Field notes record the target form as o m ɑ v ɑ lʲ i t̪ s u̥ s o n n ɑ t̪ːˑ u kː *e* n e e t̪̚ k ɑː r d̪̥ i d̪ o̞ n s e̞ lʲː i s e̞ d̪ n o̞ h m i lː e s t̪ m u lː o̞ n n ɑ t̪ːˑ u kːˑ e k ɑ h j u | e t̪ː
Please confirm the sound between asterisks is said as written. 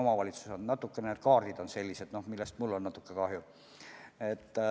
yes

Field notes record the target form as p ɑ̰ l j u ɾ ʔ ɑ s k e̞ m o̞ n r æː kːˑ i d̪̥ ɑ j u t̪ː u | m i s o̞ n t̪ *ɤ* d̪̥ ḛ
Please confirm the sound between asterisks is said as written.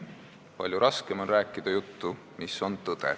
yes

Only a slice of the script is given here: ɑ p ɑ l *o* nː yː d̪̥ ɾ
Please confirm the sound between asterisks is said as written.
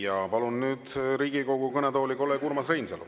no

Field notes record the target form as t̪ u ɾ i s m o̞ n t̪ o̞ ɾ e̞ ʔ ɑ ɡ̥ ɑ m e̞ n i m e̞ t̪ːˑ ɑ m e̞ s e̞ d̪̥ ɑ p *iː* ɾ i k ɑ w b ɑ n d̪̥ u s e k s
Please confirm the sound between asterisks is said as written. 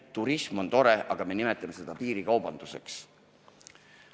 yes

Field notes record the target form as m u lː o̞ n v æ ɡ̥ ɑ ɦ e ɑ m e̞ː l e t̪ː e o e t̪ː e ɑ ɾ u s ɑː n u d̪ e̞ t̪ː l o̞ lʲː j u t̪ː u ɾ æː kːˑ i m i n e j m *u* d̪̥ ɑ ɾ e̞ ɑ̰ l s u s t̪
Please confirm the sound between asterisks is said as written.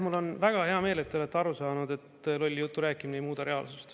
no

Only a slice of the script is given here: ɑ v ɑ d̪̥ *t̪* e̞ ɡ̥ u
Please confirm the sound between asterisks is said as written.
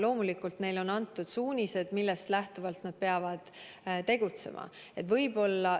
yes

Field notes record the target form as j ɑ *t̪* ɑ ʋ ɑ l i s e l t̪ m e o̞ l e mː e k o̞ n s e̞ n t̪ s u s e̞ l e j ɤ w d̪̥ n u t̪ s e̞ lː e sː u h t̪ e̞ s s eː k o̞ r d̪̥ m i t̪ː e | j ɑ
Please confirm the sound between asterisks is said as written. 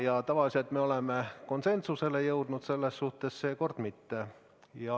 yes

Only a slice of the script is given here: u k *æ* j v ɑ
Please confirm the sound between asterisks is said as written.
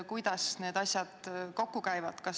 yes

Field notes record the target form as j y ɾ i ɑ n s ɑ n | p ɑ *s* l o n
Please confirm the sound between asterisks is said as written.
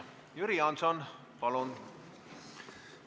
no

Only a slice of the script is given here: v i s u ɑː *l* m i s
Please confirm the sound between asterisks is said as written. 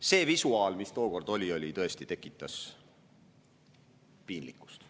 yes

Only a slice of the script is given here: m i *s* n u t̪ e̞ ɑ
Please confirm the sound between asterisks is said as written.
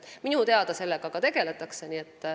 no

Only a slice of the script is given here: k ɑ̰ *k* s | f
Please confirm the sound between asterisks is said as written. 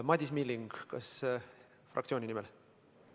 no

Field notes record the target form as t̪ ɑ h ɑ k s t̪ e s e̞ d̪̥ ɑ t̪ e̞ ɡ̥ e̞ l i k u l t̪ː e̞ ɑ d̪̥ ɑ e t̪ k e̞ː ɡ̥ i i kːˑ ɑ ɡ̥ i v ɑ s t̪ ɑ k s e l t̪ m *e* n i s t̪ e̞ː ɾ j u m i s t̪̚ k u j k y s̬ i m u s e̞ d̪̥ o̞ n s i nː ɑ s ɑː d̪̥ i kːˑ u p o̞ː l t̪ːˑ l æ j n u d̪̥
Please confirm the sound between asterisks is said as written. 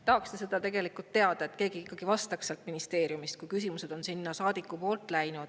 no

